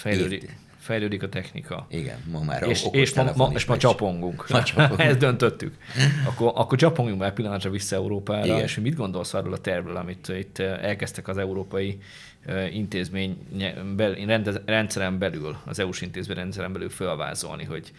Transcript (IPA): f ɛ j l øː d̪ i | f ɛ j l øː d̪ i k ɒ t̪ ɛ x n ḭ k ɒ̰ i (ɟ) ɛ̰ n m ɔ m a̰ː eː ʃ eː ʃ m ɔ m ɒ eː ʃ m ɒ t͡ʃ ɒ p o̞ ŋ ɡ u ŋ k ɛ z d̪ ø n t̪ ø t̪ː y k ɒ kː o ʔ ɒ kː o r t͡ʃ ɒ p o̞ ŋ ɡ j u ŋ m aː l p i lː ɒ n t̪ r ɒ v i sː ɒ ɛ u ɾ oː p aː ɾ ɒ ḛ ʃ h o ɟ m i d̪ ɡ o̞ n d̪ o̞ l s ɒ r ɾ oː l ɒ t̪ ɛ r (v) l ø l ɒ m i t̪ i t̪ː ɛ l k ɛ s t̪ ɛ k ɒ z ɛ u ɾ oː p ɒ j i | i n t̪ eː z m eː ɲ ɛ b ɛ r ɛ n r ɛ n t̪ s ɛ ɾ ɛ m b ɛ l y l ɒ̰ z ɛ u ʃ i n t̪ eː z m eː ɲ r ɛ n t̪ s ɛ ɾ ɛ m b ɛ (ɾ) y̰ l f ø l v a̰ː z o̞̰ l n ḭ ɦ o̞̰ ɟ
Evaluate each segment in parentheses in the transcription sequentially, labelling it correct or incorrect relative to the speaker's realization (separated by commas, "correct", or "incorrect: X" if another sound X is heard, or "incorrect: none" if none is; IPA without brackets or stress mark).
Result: incorrect: ɡ, correct, incorrect: l